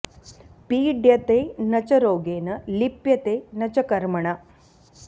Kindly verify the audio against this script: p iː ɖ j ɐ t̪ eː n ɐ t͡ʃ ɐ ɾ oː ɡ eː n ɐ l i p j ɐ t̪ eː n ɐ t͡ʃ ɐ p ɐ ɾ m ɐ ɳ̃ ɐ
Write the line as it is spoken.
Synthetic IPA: p iː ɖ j ɐ t̪ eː n ɐ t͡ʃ ɐ ɾ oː ɡ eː n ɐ l i p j ɐ t̪ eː n ɐ t͡ʃ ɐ k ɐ ɾ m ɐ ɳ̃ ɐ